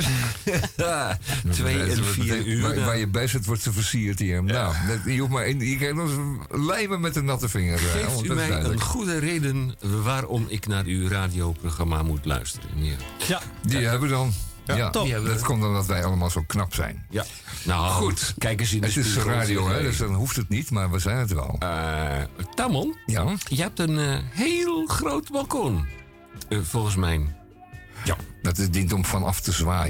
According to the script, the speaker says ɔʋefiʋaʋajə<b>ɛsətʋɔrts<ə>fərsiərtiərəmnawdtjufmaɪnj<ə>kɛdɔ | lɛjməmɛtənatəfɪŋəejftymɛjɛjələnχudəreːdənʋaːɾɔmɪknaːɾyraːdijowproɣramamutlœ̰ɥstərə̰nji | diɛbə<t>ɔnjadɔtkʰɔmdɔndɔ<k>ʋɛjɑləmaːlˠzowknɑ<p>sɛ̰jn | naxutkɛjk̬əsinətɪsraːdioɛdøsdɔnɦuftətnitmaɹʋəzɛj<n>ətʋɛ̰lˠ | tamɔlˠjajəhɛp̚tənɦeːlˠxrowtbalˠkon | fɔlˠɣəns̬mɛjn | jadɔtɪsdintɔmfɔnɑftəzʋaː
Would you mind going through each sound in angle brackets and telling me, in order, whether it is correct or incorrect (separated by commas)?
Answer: correct, correct, correct, incorrect, incorrect, correct, correct